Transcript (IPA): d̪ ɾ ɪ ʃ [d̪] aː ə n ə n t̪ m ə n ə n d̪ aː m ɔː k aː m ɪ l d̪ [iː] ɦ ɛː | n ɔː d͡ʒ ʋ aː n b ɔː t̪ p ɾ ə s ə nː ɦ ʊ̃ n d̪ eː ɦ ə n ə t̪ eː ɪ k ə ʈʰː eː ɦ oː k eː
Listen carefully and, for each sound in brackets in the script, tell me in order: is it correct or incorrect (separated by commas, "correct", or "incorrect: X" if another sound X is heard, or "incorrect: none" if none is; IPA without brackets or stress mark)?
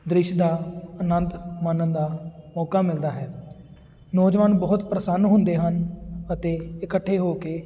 correct, incorrect: aː